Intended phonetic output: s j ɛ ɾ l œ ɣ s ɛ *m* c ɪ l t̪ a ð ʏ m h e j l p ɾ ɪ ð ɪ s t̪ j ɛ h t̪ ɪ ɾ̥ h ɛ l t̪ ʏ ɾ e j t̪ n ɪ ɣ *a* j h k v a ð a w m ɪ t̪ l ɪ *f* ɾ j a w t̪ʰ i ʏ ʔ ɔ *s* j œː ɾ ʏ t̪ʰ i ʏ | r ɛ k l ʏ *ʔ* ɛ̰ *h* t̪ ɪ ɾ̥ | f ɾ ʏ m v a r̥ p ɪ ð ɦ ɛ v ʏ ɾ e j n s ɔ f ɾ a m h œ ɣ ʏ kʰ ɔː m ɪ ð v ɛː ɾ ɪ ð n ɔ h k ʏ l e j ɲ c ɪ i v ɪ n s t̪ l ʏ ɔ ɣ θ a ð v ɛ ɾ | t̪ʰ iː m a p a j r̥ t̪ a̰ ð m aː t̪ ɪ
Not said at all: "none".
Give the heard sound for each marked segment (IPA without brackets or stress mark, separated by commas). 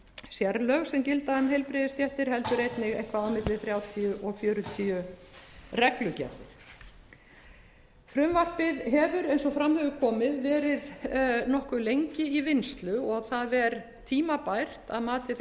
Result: m, e, θ, f, c, h